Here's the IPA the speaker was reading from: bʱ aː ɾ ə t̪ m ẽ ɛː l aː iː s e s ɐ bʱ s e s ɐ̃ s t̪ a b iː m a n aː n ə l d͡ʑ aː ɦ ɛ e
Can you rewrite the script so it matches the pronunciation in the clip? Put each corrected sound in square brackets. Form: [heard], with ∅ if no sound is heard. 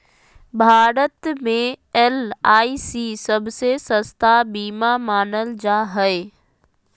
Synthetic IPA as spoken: bʱ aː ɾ ə t̪ m ẽ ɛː l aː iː s [i] s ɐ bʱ s e s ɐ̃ s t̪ a b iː m a [m] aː n ə l d͡ʑ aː ɦ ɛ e

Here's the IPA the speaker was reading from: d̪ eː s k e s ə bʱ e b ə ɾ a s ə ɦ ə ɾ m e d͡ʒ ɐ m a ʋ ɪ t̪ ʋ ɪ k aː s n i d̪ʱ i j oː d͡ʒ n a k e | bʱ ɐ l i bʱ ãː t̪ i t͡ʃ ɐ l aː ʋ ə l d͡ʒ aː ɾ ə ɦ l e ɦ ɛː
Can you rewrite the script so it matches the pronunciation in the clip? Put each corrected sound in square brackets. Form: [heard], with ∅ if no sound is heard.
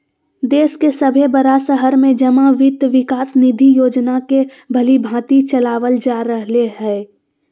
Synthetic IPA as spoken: d̪ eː s k e s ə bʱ e b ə ɾ a s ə ɦ ə ɾ m [ẽ] d͡ʒ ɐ m a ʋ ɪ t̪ ʋ ɪ k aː s n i d̪ʱ i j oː d͡ʒ n a k e | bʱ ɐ l i bʱ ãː t̪ i t͡ʃ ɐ l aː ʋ ə l d͡ʒ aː ɾ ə ɦ l e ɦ ɛː

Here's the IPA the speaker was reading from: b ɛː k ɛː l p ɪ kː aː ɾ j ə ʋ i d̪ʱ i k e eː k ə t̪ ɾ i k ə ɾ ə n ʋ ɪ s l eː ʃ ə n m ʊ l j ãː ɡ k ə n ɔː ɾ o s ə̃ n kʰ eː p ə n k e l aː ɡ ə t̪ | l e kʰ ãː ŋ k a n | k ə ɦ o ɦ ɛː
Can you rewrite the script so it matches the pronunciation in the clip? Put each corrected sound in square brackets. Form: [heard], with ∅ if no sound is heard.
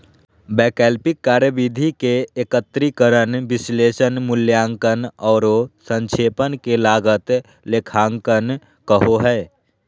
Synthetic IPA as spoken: b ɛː k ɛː l p ɪ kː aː ɾ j ə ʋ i d̪ʱ i k e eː k ə t̪ ɾ i k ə ɾ ə n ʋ ɪ s l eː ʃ ə n m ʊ l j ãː [ŋ] k ə n ɔː ɾ o s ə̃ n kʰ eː p ə n k e l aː ɡ ə t̪ | l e kʰ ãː ŋ k [ə] n | k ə ɦ o ɦ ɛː

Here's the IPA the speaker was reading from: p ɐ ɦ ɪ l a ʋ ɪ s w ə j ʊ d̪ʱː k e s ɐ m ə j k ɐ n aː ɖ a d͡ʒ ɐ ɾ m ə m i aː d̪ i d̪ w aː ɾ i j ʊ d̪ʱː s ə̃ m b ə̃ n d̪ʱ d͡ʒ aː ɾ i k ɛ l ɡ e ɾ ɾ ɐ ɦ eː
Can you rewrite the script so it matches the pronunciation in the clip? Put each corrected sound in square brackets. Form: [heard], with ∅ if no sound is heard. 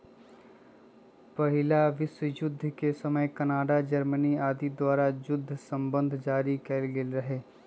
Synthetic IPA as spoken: p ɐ ɦ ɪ l a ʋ ɪ s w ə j ʊ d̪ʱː k e s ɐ m ə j k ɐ n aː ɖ a d͡ʒ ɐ ɾ m ə [n] i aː d̪ i d̪ w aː ɾ [a] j ʊ d̪ʱː s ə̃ m b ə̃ n d̪ʱ d͡ʒ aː ɾ i k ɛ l ɡ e [l] ɾ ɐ ɦ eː

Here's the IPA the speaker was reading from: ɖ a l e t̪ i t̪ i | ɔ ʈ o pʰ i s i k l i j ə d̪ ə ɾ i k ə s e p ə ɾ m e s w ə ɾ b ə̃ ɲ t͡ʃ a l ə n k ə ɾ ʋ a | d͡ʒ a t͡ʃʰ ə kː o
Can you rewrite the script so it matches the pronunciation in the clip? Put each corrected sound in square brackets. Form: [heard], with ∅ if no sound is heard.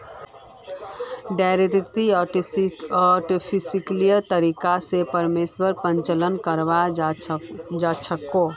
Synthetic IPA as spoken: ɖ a [ɾ] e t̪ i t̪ i | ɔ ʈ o pʰ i s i k l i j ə [t̪] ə ɾ i k [a] s e p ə ɾ m e s w ə ɾ [p] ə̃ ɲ t͡ʃ [ə] l ə n k ə ɾ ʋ a | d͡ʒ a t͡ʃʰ ə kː o

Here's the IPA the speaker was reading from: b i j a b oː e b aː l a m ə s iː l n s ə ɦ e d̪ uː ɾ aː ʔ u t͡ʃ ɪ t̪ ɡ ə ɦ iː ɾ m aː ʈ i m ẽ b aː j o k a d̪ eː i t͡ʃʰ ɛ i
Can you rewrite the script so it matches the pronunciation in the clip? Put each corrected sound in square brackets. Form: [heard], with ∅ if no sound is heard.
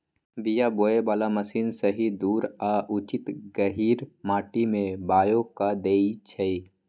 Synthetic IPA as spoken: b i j a b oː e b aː l a m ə s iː [∅] n s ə ɦ [i] d̪ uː ɾ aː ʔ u t͡ʃ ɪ t̪ ɡ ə ɦ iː ɾ m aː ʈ i m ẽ b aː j o k a d̪ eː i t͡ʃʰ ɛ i

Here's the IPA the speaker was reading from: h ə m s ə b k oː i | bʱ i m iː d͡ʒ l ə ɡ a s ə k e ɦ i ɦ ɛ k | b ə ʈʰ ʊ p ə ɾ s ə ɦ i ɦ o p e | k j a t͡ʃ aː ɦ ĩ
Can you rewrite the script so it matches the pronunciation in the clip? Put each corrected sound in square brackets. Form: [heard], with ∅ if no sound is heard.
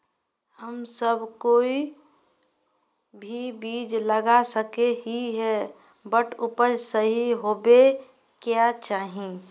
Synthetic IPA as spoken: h ə m s ə b k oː i | bʱ i [b] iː d͡ʒ l ə ɡ a s ə k e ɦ i ɦ ɛ [∅] | b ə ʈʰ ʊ p ə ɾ s ə ɦ i ɦ o [b] e | k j a t͡ʃ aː ɦ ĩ

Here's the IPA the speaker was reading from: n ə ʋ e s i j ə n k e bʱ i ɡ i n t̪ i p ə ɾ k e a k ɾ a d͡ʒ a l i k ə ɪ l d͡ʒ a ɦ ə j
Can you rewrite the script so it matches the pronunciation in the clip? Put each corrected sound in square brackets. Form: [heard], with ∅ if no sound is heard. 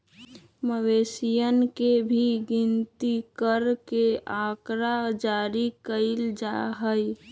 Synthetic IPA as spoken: [m] ə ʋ e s i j ə n k e bʱ i ɡ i n t̪ i [k] ə ɾ k e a k ɾ a d͡ʒ a [ɾ] i k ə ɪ l d͡ʒ a ɦ ə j

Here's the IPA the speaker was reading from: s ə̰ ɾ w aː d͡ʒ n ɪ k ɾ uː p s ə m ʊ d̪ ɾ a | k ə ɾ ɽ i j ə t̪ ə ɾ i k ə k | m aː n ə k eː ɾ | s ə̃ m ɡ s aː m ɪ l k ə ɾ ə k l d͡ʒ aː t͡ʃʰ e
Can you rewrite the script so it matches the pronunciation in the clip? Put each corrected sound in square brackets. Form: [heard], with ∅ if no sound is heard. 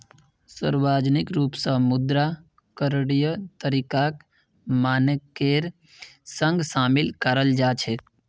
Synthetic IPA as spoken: s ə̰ ɾ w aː d͡ʒ n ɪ k ɾ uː p s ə m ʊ d̪ ɾ a | k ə ɾ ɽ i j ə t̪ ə ɾ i k [a] k | m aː n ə k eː ɾ | s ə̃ [ŋ] ɡ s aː m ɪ l k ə ɾ ə [∅] l d͡ʒ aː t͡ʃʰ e

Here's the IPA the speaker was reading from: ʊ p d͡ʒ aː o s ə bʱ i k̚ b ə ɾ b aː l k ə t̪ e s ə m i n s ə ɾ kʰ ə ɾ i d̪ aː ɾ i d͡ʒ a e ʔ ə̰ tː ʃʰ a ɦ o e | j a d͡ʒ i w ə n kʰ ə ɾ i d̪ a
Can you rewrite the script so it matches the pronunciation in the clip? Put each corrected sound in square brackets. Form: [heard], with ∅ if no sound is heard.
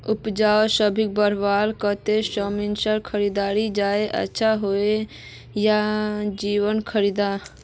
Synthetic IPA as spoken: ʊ p d͡ʒ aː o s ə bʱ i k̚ b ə ɾ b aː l k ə t̪ e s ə m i n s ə ɾ kʰ ə ɾ i d̪ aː ɾ i d͡ʒ a e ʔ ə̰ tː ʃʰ a ɦ o e | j a d͡ʒ i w ə n kʰ ə ɾ i d̪ a

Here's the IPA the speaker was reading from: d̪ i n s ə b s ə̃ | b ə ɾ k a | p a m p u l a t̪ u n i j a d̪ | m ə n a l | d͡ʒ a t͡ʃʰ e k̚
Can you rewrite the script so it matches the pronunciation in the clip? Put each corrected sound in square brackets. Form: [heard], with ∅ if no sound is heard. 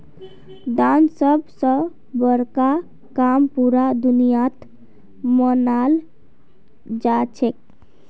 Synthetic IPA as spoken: d̪ [a] n s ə b s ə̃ | b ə ɾ k a | [k] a m p u [ɾ] a [d̪] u n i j a [t̪] | m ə n a l | d͡ʒ a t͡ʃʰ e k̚

